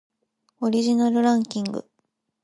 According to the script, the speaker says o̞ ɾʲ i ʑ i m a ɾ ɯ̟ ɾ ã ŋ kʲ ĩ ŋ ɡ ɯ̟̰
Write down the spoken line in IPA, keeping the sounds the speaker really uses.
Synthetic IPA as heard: o̞ ɾʲ i ʑ i n a ɾ ɯ̟ ɾ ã ŋ kʲ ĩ ŋ ɡ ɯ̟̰